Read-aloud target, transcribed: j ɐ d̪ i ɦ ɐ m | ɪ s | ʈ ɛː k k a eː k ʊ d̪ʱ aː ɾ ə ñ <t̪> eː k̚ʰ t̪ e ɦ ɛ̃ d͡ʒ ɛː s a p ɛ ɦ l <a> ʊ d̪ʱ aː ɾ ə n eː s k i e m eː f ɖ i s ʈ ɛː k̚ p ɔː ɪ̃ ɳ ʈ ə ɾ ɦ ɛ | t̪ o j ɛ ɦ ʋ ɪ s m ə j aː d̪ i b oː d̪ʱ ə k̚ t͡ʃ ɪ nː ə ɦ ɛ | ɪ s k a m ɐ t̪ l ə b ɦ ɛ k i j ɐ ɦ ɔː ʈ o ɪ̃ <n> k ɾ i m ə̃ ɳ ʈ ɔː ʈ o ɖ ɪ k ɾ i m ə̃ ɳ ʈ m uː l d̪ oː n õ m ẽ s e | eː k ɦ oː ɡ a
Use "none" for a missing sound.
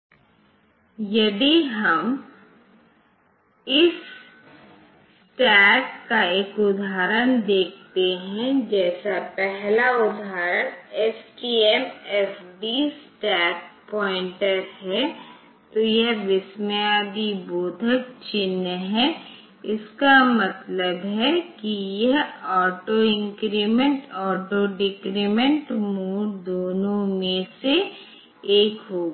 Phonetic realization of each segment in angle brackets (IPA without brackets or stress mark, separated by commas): d̪, a, ŋ